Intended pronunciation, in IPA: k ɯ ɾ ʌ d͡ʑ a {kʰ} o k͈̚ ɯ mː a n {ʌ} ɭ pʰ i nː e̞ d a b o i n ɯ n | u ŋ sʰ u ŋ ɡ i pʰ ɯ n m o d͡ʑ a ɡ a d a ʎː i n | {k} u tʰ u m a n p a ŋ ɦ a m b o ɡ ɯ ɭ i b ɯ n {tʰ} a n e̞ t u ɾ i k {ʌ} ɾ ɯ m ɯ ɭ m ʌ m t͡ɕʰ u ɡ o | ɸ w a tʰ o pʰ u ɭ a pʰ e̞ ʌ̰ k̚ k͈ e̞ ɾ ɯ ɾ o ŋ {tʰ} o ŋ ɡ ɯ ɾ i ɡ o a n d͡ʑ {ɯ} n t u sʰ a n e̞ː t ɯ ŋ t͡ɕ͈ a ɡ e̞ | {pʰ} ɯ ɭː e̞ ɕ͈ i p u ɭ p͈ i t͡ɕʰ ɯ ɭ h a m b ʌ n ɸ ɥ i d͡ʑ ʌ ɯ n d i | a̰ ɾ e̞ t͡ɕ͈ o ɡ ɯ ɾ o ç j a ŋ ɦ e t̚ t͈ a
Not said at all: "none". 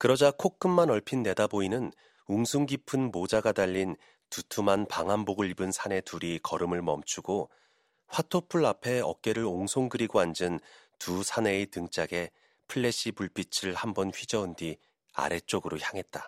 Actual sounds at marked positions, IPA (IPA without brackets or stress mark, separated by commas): kʰ, ʌ, t, sʰ, ʌ, sʰ, ɯ, pʰ